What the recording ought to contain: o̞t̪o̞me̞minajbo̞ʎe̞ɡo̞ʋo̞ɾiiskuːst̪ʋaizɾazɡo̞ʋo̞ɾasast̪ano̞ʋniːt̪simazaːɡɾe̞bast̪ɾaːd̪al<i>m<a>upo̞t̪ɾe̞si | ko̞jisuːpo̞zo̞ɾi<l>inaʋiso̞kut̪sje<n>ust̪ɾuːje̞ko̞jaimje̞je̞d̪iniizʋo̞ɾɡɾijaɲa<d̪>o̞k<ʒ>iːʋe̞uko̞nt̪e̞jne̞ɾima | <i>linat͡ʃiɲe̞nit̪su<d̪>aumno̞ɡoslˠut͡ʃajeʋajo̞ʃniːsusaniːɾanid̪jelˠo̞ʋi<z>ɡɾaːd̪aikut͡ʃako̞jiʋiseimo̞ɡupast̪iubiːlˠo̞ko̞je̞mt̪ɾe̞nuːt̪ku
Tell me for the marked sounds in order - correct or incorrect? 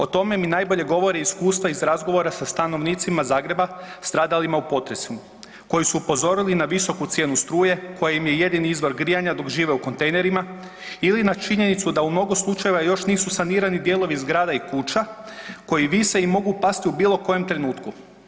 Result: correct, correct, correct, correct, correct, correct, correct, correct, correct

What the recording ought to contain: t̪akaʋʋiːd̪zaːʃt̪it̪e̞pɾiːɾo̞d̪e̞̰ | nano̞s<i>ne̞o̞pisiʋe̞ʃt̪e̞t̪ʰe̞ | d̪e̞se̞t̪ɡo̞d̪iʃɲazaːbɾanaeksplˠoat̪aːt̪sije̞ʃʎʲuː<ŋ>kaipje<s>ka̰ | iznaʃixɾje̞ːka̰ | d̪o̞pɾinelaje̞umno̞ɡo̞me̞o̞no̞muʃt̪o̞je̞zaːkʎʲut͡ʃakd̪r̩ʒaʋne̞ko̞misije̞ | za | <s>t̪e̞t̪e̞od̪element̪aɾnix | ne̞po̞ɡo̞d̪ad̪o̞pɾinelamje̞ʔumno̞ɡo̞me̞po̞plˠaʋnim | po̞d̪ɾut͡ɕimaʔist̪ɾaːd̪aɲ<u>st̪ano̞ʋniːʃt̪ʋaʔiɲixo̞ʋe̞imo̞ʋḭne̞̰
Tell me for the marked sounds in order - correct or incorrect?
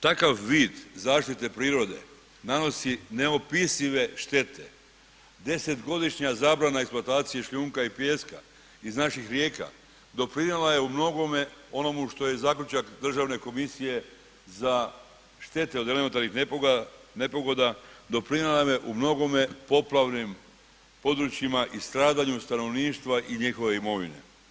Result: correct, correct, correct, incorrect: ʃ, correct

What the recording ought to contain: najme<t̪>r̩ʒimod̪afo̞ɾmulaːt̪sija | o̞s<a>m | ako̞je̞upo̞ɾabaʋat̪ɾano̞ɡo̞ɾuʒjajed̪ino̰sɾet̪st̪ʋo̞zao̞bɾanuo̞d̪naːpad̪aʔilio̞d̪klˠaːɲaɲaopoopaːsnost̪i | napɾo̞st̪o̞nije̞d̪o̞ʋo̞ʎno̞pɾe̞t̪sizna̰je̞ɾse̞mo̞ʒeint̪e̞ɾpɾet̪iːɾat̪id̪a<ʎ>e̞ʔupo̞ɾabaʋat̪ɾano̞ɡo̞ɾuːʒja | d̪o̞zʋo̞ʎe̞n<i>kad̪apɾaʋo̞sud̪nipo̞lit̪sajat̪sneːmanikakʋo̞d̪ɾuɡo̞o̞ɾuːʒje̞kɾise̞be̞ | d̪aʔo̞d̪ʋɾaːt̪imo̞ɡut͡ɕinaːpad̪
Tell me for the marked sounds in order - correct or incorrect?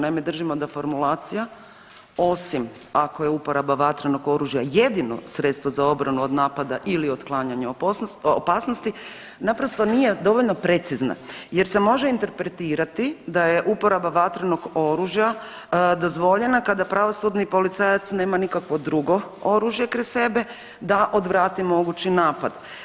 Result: incorrect: d̪, incorrect: i, incorrect: j, incorrect: a

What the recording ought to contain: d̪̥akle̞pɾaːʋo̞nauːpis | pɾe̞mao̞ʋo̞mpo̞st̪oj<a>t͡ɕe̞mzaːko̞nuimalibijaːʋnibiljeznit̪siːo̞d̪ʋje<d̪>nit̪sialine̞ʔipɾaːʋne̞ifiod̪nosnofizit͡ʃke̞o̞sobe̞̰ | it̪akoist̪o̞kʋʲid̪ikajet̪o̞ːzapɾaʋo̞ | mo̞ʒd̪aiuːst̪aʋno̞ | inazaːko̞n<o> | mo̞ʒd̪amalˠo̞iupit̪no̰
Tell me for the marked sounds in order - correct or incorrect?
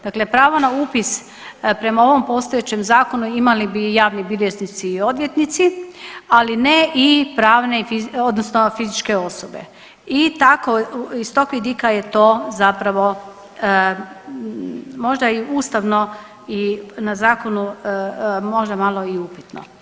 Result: incorrect: e, incorrect: t̪, incorrect: u

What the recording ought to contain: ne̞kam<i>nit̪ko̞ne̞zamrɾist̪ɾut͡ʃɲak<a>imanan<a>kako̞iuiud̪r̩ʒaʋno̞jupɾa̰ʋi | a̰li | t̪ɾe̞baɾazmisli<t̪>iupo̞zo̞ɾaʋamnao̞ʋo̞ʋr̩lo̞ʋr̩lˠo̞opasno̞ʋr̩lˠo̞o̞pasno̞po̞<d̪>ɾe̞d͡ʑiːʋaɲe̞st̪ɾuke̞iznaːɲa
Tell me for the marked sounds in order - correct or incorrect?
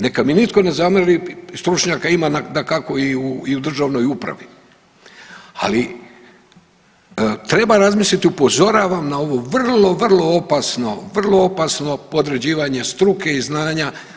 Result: correct, correct, correct, correct, correct

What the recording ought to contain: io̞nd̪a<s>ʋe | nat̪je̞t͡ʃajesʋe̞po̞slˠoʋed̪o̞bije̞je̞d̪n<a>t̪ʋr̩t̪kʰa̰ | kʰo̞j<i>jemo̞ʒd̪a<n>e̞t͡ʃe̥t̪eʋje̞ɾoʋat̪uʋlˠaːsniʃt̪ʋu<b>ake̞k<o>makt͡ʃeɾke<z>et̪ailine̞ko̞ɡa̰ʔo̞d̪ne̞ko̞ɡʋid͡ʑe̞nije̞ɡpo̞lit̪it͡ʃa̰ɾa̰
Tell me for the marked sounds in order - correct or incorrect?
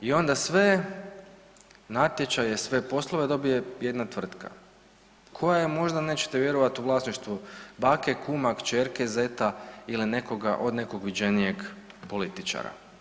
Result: correct, correct, incorrect: a, correct, correct, incorrect: u, correct

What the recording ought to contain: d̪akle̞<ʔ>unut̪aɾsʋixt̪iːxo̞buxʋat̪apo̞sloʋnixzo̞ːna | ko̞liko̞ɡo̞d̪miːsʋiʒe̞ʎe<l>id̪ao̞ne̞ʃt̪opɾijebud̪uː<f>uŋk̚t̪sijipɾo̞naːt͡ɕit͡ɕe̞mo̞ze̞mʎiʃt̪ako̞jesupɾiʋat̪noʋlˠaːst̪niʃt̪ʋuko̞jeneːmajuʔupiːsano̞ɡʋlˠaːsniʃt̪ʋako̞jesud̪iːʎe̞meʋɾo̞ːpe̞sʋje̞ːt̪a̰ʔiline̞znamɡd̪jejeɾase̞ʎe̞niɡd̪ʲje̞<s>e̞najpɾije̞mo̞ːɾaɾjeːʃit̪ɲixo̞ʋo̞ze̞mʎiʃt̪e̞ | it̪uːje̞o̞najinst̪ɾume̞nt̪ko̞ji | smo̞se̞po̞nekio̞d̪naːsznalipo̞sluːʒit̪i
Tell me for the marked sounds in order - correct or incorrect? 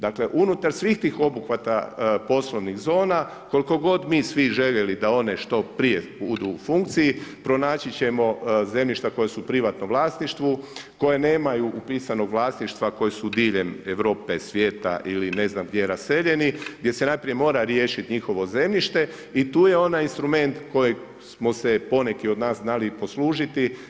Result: correct, correct, correct, correct

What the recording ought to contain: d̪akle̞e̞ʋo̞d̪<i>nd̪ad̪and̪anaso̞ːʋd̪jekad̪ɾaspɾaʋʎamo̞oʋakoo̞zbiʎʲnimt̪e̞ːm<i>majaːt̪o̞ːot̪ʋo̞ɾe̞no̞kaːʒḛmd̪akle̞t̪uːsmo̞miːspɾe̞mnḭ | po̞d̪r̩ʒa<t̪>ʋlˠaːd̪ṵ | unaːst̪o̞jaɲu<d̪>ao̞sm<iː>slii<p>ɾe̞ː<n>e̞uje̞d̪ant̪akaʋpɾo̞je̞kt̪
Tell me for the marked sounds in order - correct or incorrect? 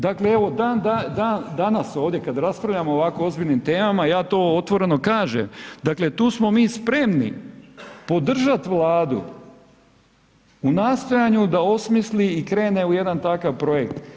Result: incorrect: a, incorrect: a, correct, correct, incorrect: i, incorrect: k, correct

